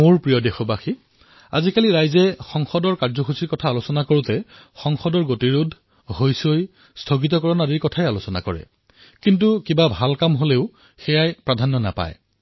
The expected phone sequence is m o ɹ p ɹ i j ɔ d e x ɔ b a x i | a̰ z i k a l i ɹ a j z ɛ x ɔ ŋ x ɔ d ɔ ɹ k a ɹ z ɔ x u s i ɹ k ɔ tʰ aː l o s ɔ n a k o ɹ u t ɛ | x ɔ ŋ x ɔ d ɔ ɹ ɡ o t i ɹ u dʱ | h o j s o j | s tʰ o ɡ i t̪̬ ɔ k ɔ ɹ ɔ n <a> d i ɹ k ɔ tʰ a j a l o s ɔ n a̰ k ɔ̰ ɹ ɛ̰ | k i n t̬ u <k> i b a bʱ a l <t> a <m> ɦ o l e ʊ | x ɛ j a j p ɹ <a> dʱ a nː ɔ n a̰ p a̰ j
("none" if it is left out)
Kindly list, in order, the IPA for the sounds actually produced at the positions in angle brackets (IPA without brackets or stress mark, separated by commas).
a, k, k, m, a